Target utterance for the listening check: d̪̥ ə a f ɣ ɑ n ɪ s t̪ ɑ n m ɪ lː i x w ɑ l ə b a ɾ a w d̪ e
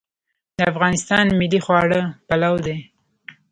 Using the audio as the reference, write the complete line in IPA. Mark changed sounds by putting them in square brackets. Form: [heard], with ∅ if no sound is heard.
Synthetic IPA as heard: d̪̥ ə a f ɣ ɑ n ɪ s t̪ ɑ n m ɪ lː i x w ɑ [ɽ] ə [p] a [l] a w d̪ e